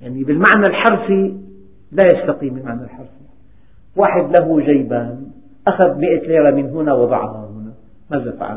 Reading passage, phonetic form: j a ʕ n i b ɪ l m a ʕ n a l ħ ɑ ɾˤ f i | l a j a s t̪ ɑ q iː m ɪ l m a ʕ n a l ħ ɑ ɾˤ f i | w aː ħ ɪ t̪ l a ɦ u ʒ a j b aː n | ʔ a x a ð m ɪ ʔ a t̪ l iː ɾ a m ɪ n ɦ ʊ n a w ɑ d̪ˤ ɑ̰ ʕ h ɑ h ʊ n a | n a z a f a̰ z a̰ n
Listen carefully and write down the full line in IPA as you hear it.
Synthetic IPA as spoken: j a ʕ n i b ɪ l m a ʕ n a l ħ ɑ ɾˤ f i | l a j a s t̪ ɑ q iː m ɪ l m a ʕ n a l ħ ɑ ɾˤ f i | w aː ħ ɪ d̪ l a ɦ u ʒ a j b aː n | ʔ a x a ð m ɪ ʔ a t̪ l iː ɾ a m ɪ n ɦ ʊ n a w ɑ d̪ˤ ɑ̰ ʕ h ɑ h ʊ n a | m a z a f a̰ ʕ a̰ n